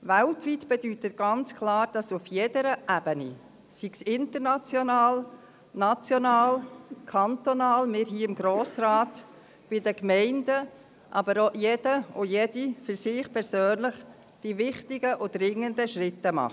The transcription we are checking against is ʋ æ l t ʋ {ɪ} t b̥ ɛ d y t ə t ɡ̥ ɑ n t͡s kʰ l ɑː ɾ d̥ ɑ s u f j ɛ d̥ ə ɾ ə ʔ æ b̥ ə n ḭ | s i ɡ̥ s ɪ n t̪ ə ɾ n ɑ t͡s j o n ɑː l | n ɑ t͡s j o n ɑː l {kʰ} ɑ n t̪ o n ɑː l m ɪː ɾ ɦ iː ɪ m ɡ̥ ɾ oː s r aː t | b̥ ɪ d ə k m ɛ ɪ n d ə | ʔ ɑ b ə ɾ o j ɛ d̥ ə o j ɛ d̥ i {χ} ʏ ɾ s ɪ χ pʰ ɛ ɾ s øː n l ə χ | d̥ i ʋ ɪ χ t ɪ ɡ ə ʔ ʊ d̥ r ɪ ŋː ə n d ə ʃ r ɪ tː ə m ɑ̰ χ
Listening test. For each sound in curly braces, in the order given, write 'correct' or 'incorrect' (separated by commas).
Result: incorrect, correct, incorrect